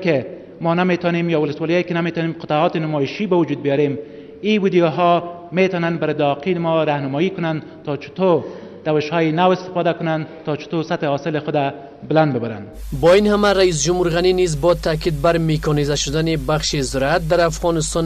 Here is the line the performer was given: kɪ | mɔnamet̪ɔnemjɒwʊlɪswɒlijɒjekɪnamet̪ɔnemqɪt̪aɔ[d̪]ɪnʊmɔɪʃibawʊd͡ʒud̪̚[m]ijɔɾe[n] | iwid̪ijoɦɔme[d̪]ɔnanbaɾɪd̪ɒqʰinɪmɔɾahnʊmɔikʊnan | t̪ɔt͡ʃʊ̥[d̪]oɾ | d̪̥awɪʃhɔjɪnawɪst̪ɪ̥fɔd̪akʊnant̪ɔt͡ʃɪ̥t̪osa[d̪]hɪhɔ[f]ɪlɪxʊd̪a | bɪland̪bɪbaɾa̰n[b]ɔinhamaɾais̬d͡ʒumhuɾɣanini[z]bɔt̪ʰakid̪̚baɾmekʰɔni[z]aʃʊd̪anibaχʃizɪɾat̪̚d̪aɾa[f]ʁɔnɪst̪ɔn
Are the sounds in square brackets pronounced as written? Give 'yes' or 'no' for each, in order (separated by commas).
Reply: no, no, no, no, no, no, no, yes, yes, yes, yes